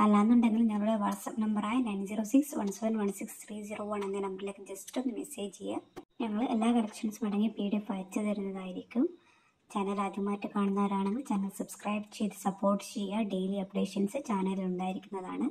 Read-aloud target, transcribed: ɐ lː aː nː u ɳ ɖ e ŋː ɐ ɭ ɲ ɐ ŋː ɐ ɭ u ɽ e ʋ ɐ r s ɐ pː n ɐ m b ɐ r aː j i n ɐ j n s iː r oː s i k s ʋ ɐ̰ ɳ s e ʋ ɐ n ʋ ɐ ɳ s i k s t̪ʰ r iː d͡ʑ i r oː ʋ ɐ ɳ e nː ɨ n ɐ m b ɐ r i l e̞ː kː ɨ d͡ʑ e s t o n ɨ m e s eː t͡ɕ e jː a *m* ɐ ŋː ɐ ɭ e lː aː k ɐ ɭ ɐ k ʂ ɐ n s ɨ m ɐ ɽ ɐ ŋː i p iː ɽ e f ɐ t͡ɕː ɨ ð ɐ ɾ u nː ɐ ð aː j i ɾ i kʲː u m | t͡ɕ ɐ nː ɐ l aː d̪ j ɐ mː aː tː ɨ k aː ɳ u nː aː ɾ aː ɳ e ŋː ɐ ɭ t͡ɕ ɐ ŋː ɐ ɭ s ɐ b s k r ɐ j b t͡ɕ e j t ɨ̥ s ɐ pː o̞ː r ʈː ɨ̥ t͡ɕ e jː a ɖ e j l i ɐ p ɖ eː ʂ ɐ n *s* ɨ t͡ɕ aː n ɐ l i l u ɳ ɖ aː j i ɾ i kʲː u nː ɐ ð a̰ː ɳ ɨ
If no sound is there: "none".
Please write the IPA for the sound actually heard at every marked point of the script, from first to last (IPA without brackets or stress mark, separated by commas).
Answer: ɲ, s